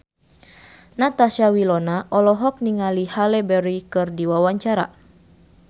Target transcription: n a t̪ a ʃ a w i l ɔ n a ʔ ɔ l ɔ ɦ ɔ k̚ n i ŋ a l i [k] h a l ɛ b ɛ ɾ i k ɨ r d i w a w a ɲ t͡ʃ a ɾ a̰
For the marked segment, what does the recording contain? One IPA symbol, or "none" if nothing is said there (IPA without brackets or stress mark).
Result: none